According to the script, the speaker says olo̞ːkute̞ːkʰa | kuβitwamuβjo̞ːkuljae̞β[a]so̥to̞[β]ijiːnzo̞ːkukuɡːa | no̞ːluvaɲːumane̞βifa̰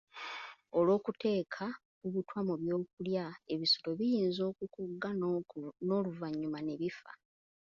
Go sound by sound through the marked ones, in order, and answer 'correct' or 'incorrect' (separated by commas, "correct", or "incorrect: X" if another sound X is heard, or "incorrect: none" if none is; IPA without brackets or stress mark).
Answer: incorrect: i, correct